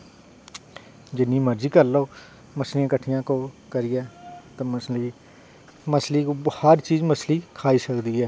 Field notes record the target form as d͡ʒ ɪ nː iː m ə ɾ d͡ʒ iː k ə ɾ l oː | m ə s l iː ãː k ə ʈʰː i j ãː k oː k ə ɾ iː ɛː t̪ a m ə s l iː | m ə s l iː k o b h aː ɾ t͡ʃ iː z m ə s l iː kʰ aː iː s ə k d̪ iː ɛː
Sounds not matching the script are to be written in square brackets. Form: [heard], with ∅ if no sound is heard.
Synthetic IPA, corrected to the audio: d͡ʒ ɪ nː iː m ə ɾ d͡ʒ iː k ə ɾ l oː | m ə s l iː ãː k ə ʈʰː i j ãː k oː k ə ɾ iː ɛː t̪ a m ə s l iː | m ə s l iː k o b h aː ɾ t͡ʃ iː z m ə s l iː kʰ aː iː s ə k d̪ iː ɛː